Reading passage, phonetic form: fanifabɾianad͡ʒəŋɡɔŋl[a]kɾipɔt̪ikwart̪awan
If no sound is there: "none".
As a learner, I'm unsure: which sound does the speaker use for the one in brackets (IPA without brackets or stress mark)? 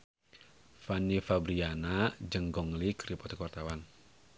i